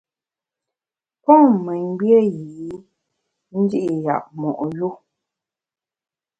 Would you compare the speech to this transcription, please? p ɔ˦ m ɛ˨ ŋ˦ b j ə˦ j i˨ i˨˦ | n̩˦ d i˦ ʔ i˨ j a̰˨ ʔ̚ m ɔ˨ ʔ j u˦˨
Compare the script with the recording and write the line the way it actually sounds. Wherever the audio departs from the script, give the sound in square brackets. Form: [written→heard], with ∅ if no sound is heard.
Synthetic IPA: p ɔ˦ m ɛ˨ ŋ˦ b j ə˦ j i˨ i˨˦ | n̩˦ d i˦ ʔ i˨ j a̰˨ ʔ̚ m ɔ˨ ʔ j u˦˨